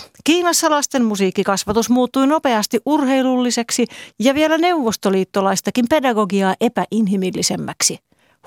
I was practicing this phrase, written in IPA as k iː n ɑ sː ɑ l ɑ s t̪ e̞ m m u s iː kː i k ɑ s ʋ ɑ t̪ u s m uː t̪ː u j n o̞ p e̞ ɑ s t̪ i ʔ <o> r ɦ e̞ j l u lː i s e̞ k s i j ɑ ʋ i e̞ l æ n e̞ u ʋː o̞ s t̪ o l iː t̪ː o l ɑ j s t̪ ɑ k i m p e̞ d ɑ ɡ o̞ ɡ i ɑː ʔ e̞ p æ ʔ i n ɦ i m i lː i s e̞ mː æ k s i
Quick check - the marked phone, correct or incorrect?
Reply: incorrect